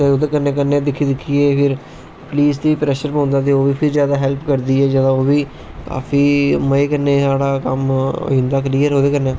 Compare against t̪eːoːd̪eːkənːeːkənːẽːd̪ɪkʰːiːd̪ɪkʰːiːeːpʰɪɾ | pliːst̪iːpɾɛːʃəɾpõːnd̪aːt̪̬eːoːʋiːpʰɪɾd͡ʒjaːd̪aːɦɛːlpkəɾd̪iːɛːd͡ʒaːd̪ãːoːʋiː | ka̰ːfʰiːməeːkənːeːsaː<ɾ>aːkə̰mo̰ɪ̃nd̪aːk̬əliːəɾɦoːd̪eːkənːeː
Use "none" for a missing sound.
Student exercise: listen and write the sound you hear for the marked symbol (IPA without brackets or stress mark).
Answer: ɽ